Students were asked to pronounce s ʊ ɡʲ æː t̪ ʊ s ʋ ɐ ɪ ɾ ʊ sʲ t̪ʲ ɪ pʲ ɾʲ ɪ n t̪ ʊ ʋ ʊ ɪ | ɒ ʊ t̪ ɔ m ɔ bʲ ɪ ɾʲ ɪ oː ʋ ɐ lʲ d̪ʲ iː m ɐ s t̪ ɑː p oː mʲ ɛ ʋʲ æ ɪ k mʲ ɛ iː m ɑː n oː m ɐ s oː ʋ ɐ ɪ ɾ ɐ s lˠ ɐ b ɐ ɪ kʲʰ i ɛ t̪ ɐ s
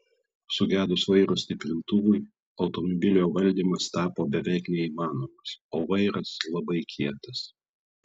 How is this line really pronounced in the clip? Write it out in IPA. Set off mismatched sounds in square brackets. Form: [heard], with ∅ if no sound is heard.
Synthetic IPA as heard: s ʊ ɡʲ æː [d̪] ʊ s ʋ ɐ ɪ ɾ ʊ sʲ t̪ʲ ɪ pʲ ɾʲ ɪ n t̪ ʊ ʋ ʊ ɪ | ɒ ʊ t̪ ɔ m ɔ bʲ ɪ [lʲ] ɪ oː ʋ ɐ lʲ d̪ʲ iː m ɐ s t̪ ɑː p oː [bʲ] ɛ ʋʲ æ ɪ k [nʲ] ɛ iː m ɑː n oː m ɐ s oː ʋ ɐ ɪ ɾ ɐ s lˠ ɐ b ɐ ɪ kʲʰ i ɛ t̪ ɐ s